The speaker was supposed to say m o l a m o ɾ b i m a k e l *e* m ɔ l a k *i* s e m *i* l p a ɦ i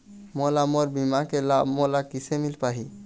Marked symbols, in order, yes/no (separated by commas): no, yes, yes